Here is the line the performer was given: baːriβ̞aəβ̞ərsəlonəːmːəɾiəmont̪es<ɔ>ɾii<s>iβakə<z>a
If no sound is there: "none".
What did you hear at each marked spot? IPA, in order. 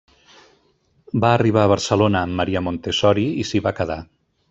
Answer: ɔ, s, ð

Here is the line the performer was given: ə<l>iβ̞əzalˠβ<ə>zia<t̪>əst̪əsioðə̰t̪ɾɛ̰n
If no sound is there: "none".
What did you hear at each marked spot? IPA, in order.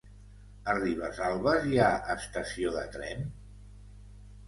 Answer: r, ə, none

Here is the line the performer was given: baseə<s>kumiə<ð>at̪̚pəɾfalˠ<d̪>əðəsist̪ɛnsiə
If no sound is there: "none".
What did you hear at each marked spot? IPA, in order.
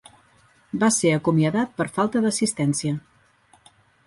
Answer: none, ð, t̪

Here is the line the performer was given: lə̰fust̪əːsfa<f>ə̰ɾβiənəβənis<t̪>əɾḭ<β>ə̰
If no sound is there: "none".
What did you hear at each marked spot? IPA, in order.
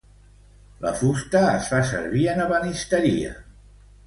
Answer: s, t̪, none

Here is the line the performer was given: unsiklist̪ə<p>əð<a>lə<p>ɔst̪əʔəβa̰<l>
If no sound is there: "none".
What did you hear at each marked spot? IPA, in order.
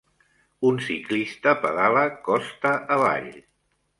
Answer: p, a, k, ʎ

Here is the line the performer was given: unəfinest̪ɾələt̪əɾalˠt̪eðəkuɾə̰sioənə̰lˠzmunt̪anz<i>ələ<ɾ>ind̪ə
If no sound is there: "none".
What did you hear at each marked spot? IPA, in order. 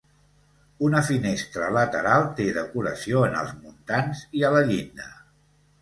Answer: i, ʎ

